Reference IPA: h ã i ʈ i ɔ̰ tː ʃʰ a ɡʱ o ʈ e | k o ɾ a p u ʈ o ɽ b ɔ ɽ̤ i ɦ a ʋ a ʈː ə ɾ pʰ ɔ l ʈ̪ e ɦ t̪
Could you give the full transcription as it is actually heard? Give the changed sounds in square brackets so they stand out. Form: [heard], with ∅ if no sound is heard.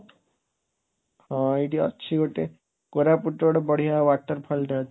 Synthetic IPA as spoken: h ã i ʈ i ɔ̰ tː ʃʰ [i] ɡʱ o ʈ e | k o ɾ a p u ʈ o ɽ b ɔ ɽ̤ i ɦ a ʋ a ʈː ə ɾ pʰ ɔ l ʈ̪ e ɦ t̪